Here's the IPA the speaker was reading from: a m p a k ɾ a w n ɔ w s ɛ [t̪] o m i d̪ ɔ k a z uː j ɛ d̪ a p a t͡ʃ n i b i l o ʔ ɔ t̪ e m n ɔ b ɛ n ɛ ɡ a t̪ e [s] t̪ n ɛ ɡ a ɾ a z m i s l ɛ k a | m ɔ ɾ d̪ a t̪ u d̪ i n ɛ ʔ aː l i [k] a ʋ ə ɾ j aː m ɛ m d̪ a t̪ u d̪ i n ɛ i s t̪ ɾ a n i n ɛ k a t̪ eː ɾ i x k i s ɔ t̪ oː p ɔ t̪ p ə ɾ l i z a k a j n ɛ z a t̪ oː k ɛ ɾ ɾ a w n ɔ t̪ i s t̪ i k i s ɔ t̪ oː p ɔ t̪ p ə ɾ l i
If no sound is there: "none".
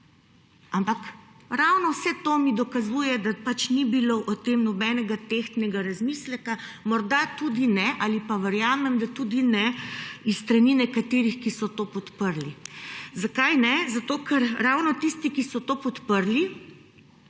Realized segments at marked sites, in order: t̪, x, p

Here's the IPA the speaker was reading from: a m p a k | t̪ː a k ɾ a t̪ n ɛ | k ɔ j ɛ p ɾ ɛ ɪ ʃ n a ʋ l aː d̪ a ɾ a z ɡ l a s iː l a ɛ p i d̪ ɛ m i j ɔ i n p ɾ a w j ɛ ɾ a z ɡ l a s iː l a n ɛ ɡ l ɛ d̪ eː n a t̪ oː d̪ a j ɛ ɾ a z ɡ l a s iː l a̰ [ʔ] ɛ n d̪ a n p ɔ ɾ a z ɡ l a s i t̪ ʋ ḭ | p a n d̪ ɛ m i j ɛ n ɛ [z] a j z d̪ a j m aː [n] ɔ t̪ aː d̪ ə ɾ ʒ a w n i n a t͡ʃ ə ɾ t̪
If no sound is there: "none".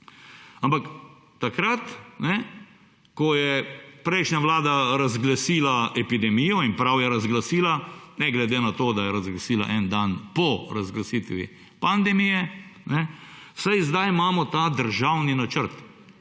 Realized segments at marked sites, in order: ʔ, s, m

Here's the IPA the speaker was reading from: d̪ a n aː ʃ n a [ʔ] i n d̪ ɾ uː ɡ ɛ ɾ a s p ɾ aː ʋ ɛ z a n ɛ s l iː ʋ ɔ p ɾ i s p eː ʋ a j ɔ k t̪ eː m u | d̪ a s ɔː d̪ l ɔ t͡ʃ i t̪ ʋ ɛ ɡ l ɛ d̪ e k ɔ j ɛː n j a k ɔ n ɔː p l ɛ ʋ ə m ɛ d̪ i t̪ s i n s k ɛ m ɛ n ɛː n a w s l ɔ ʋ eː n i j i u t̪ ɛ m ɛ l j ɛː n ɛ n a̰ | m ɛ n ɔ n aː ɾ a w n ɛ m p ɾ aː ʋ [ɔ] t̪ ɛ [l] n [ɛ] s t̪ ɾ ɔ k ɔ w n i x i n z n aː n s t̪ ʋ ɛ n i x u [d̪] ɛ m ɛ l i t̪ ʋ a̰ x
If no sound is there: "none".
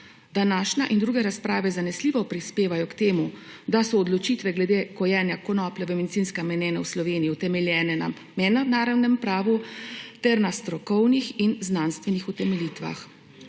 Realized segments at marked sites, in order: ʔ, u, ɾ, a, t̪

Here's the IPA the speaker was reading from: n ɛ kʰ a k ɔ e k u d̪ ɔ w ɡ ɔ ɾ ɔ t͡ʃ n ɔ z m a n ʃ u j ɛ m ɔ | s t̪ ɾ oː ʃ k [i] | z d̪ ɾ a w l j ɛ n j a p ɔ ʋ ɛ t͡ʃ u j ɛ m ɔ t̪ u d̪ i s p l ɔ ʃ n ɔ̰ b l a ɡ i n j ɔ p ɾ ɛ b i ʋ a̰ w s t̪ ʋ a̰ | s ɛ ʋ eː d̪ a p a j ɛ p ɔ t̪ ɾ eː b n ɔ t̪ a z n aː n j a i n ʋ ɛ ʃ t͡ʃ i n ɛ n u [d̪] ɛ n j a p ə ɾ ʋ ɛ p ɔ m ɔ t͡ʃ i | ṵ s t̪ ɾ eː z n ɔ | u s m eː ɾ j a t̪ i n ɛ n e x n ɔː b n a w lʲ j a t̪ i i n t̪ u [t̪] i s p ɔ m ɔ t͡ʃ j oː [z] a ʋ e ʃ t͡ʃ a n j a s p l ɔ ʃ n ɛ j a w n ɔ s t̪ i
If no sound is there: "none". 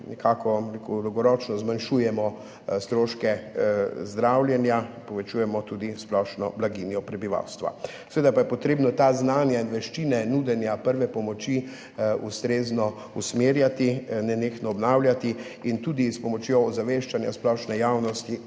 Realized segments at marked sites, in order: ɛ, d̪, d̪, z

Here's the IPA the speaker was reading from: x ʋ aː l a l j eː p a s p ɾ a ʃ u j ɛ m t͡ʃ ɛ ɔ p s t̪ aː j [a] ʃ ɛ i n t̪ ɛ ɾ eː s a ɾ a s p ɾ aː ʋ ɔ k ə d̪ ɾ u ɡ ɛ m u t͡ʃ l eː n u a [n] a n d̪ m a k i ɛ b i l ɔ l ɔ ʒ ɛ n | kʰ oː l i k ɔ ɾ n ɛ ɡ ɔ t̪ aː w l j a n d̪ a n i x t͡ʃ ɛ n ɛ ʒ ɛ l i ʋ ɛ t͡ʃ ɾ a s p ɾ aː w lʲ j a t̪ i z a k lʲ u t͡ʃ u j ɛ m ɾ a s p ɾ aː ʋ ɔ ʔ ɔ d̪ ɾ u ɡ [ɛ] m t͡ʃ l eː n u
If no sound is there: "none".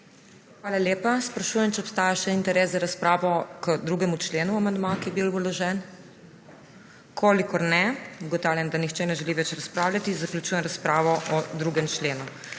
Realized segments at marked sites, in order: a, m, ɛ

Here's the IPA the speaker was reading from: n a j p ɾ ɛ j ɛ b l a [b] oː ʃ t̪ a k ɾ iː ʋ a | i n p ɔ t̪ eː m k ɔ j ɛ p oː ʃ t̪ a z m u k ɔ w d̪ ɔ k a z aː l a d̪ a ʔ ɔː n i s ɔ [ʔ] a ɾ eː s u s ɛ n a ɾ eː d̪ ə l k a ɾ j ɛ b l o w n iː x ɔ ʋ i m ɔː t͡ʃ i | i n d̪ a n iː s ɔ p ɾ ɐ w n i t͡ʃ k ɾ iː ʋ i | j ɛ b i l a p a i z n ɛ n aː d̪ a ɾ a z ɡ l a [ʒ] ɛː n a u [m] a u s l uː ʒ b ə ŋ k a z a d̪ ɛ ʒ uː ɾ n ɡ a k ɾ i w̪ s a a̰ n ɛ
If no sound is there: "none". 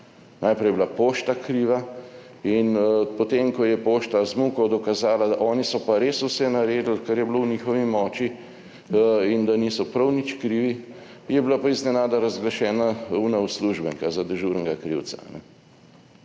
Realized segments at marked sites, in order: p, p, ʃ, n

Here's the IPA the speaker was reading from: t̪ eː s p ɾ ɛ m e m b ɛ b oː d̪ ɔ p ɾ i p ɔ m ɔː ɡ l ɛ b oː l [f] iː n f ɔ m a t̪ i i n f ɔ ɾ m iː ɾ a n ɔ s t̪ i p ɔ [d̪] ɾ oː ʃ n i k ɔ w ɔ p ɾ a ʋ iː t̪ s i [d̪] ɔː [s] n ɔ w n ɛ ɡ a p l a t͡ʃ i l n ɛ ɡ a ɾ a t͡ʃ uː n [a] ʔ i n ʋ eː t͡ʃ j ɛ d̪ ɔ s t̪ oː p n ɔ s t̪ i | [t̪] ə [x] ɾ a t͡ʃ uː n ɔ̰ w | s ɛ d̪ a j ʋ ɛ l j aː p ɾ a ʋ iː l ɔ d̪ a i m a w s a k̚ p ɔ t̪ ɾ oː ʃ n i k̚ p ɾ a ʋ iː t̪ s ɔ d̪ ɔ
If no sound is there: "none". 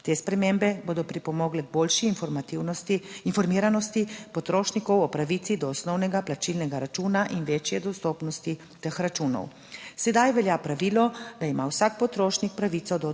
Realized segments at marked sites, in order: ʃ, t̪, d̪, s, a, t̪, x

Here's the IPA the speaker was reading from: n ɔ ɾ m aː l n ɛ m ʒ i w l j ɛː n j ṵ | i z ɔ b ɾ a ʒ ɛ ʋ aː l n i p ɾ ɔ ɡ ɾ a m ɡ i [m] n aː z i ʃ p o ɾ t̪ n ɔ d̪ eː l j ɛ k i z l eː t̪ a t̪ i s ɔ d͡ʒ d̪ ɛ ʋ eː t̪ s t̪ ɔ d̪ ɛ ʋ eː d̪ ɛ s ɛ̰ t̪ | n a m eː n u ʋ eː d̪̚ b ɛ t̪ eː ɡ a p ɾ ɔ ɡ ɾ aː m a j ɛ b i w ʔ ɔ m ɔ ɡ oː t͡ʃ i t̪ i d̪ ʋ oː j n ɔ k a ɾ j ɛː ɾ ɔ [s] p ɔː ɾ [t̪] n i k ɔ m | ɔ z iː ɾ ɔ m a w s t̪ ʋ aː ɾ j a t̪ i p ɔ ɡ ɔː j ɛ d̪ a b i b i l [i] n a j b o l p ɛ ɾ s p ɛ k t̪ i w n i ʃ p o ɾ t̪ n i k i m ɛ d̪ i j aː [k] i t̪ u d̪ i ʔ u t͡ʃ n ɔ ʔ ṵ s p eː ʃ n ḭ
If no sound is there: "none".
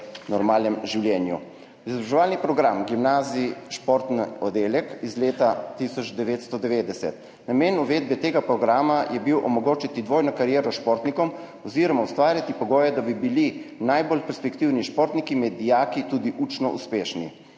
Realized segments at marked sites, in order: m, ʃ, t̪, i, k

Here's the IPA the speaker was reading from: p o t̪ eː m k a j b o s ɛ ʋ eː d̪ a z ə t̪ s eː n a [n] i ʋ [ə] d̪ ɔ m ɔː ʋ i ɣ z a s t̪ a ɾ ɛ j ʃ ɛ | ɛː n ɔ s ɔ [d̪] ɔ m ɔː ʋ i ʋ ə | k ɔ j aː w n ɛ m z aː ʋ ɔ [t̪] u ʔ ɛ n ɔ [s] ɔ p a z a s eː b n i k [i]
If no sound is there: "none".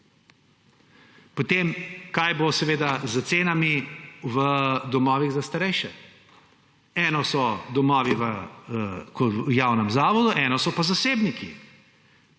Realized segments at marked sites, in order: m, ə, d̪, d̪, s, i

